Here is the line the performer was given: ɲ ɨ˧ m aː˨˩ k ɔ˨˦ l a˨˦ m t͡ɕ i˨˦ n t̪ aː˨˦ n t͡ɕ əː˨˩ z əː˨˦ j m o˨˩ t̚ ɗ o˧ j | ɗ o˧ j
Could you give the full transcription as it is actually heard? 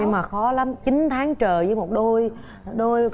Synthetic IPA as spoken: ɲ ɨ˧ m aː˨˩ x ɔ˨˦ l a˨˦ m t͡ɕ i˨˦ n t̪ʰ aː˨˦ ŋ t͡ɕ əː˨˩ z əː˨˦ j m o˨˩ t̚ ɗ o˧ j | ɗ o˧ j